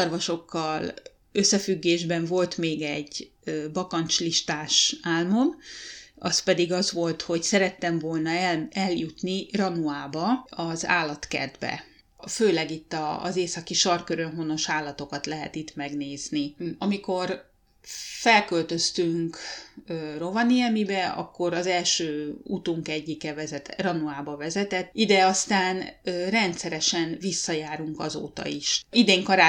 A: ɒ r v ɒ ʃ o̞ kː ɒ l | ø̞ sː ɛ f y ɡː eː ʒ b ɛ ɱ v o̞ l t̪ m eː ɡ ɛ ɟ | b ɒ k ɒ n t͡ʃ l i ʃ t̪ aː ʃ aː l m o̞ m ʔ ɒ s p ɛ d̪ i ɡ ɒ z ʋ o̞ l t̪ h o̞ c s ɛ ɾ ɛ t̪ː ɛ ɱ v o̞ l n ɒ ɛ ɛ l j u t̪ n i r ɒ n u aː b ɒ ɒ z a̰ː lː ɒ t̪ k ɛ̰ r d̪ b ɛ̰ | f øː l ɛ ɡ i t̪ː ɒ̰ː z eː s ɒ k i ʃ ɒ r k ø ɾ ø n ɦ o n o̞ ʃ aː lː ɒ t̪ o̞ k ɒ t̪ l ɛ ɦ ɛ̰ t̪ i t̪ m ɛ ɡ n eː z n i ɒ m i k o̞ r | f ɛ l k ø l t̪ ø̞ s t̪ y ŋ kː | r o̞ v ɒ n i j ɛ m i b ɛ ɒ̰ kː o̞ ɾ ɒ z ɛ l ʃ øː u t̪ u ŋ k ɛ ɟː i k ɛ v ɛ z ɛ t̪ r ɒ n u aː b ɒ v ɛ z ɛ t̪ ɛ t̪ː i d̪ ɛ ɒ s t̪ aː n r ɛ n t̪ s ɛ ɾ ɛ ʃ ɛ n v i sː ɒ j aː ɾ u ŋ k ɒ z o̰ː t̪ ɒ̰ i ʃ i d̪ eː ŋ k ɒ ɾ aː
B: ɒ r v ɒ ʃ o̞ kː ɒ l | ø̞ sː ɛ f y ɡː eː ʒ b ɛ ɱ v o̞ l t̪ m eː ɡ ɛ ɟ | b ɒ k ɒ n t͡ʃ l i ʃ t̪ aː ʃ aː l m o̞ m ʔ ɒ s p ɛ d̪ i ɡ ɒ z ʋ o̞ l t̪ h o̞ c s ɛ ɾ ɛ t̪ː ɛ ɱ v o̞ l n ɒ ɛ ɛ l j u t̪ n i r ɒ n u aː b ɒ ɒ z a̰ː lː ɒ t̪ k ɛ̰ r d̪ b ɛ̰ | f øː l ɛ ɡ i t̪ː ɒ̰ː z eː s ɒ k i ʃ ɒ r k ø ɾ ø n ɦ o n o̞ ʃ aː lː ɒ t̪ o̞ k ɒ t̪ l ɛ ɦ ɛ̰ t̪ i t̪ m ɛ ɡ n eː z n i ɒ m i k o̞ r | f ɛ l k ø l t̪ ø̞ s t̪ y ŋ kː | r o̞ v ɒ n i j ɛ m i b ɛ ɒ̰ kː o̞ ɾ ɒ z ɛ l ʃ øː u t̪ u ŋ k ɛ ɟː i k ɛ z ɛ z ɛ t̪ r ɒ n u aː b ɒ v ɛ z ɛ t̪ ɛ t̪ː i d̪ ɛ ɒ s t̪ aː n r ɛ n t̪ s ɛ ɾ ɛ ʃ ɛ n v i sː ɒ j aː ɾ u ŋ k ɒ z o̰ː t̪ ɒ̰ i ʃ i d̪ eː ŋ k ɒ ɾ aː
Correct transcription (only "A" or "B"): A